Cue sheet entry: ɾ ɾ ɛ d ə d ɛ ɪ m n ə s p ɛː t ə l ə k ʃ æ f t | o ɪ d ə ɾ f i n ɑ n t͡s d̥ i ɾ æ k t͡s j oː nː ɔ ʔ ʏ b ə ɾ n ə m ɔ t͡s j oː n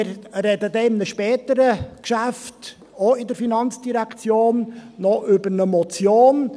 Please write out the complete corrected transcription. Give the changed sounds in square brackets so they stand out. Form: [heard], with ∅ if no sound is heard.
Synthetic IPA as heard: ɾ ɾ ɛ d ə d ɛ ɪ m n ə [ʃ] p ɛː t ə [ɾ] ə k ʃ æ f t | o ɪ d ə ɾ f i n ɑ n t͡s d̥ i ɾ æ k t͡s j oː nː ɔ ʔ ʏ b ə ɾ n ə m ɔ t͡s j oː n

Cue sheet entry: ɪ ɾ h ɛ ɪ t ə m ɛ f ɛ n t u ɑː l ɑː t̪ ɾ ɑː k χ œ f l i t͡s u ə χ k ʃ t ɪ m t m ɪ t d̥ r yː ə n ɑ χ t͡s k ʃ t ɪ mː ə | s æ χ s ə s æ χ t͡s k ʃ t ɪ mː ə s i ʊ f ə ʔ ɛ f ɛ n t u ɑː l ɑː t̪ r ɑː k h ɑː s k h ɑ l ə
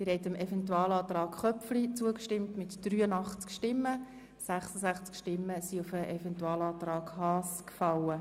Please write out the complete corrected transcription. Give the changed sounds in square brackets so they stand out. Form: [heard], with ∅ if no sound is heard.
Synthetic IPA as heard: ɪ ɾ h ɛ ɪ t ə m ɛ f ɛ n t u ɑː l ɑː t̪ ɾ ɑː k χ œ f l i t͡s u ə [∅] k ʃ t ɪ m t m ɪ t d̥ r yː ə n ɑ χ t͡s k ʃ t ɪ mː ə | s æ χ s ə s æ χ t͡s k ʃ t ɪ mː ə s i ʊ f ə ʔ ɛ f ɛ n t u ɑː l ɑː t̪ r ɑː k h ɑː s k [f] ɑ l ə

